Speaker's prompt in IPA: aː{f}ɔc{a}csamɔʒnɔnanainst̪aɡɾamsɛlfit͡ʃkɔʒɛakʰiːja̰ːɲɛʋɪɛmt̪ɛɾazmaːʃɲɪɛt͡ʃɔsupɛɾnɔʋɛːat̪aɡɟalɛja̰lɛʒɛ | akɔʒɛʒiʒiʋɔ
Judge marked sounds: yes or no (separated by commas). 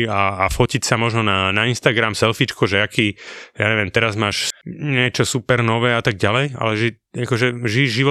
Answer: yes, no